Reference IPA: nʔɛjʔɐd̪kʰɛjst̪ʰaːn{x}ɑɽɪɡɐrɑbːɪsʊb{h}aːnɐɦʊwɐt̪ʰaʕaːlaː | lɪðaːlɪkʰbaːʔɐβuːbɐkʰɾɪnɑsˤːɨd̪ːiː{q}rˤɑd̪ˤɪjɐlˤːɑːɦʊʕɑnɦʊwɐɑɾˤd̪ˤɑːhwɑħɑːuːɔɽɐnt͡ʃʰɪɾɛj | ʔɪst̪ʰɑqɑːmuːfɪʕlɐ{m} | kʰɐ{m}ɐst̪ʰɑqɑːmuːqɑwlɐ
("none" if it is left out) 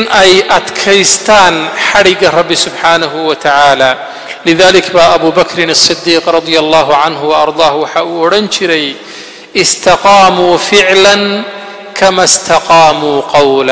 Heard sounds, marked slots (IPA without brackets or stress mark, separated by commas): ħ, ħ, q, n, m